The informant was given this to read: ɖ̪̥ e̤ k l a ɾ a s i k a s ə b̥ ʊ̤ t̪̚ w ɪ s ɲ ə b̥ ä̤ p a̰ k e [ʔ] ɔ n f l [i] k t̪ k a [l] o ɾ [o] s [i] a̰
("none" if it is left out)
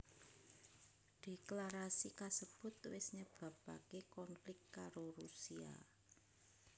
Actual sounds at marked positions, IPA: k, ɪ, ɾ, u, i

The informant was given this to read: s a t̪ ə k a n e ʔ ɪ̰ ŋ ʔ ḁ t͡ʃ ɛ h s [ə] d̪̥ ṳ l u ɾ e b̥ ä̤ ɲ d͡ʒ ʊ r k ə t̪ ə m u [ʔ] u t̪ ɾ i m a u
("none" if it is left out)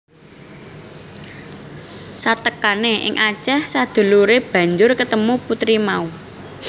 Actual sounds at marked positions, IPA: a, p

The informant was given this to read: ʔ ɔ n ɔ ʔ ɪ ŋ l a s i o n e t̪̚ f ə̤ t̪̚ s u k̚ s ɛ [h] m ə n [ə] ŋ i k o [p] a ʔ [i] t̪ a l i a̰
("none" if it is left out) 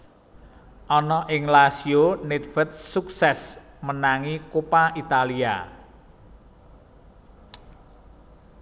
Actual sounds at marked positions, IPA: s, a, p, i

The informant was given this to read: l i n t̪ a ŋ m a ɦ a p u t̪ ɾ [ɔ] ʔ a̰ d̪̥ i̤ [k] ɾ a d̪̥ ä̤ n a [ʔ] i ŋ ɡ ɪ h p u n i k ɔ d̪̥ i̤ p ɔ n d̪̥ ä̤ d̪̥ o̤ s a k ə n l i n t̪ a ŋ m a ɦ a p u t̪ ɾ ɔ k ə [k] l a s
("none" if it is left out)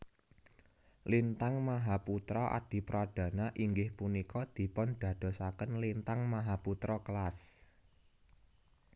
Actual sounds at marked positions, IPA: ɔ, p, ʔ, none

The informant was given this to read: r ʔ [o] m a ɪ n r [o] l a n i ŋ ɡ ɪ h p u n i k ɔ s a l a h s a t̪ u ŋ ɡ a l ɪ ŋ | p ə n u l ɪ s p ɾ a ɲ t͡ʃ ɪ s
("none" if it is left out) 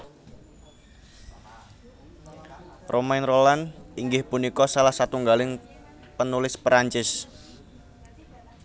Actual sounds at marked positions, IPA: o, o

